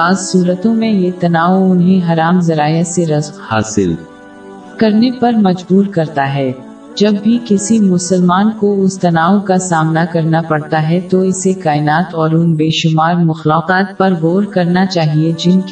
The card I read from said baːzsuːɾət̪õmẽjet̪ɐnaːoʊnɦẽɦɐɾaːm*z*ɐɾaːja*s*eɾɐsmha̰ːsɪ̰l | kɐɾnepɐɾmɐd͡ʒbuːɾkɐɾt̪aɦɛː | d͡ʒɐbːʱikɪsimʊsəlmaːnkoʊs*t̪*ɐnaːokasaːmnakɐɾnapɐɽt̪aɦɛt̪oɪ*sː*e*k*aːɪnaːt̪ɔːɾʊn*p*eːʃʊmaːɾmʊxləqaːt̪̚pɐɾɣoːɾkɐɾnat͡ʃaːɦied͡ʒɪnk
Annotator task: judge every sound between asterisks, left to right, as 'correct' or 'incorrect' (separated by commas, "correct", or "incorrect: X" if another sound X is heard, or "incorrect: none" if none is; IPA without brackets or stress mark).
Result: correct, correct, correct, incorrect: s, correct, incorrect: b